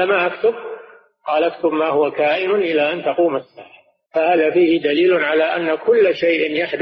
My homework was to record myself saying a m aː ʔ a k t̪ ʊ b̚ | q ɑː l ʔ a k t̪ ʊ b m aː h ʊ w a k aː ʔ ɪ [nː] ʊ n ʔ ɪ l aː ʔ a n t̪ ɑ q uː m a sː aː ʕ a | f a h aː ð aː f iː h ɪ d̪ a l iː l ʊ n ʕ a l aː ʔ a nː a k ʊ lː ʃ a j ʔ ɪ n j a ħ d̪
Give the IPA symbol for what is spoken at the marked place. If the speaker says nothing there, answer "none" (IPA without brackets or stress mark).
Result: n